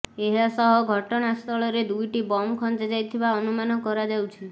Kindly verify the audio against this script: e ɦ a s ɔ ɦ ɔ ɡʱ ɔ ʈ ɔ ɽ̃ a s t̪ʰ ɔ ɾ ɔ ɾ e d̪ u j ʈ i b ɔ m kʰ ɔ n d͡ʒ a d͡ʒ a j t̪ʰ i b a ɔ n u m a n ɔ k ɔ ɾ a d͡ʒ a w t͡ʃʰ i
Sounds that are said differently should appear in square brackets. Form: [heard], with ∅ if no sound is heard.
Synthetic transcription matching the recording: e ɦ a s ɔ ɦ ɔ ɡʱ ɔ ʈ ɔ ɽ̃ a s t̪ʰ ɔ [ɭ] ɔ ɾ e d̪ u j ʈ i b ɔ m kʰ ɔ n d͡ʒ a d͡ʒ a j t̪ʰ i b a ɔ n u m a n ɔ k ɔ ɾ a d͡ʒ a w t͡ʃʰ i